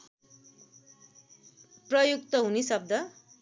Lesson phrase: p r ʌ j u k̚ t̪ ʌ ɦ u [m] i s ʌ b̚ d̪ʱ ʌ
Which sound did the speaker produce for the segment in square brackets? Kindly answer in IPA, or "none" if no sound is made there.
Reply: n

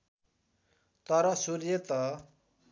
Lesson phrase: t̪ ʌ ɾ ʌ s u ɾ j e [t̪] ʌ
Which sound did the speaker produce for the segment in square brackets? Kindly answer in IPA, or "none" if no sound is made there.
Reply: t̪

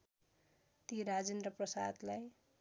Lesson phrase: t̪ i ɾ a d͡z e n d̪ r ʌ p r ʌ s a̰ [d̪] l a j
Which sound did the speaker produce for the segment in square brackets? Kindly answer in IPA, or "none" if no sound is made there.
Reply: d̪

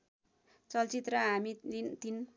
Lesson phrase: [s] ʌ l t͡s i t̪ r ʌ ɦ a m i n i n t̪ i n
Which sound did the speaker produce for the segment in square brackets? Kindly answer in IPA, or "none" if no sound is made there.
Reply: t͡s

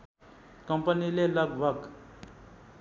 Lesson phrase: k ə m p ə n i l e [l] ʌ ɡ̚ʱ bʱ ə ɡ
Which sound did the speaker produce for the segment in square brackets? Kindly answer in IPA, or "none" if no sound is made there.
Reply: l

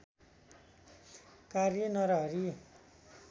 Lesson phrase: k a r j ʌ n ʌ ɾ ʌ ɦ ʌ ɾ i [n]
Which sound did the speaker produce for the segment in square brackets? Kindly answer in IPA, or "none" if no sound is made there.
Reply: none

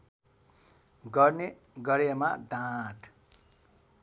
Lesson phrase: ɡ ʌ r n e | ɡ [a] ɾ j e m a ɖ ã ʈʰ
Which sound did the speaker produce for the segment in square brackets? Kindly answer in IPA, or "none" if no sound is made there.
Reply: ʌ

